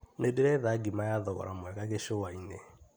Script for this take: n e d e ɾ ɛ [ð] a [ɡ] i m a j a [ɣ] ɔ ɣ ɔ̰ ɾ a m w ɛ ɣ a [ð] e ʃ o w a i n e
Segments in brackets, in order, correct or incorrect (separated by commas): correct, correct, incorrect, incorrect